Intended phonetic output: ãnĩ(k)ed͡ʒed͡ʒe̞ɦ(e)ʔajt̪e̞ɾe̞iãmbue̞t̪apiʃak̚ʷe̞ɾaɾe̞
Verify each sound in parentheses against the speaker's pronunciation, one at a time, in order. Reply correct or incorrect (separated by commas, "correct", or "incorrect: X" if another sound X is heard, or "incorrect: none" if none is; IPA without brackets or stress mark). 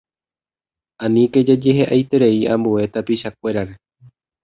correct, correct